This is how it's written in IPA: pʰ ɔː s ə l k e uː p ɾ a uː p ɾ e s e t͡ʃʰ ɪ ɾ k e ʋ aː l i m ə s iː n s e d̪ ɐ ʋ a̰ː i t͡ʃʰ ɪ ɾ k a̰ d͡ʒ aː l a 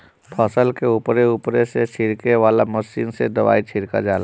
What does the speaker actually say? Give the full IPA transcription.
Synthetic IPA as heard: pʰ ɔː s ə l k e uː p ɾ e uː p ɾ e s e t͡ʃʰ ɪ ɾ k e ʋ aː l a m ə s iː n s e d̪ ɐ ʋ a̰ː i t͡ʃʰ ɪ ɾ k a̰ d͡ʒ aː l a